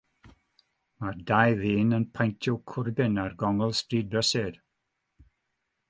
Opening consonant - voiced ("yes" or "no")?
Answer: yes